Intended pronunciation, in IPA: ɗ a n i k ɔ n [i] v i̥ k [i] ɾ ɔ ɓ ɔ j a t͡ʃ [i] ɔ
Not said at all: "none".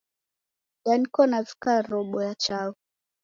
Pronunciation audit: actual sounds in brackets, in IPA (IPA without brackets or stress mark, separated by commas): a, a, a